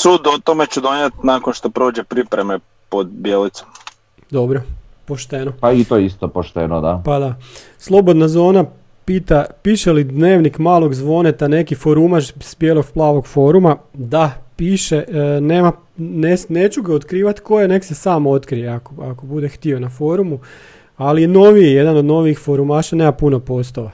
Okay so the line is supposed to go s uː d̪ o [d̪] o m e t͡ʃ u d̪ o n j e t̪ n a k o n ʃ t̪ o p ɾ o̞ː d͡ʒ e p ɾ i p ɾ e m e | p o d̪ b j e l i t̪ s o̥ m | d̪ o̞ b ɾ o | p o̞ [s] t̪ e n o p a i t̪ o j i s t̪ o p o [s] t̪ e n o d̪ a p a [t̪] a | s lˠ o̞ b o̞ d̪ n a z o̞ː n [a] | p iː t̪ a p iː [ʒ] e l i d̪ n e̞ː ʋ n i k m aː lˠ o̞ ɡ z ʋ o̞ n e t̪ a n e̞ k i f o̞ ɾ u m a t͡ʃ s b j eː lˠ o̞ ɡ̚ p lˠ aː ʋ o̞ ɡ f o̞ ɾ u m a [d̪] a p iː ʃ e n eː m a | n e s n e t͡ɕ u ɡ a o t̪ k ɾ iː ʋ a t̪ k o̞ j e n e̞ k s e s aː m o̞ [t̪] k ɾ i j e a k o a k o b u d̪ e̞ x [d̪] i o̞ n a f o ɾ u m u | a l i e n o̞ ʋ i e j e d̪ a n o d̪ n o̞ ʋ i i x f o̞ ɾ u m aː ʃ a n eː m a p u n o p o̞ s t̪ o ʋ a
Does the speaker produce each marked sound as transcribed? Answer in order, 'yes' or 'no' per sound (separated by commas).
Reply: no, no, no, no, yes, no, yes, yes, no